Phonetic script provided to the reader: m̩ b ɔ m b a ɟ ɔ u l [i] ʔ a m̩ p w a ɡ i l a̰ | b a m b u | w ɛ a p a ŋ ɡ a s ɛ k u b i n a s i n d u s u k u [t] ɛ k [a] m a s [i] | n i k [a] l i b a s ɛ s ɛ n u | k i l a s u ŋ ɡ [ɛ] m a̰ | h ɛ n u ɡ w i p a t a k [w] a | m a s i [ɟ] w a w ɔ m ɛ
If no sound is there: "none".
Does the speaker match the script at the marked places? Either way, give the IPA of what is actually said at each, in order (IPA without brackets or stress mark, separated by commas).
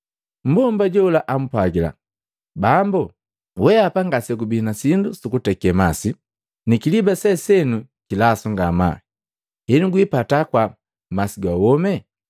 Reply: a, t, ɛ, i, i, a, w, ɡ